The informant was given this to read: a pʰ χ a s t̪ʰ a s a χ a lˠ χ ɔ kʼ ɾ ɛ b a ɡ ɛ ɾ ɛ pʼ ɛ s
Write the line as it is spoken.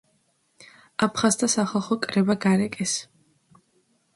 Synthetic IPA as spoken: a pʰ χ a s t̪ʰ a s a χ a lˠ χ ɔ kʼ ɾ ɛ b a ɡ a ɾ ɛ kʼ ɛ s